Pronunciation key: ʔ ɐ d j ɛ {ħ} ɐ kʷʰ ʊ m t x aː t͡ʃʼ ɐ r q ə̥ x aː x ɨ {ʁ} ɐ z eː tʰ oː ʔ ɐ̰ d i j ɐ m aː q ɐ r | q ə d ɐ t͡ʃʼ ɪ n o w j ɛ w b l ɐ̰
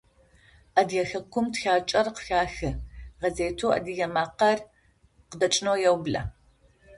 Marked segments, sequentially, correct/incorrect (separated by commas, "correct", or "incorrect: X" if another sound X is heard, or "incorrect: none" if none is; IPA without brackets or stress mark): incorrect: x, correct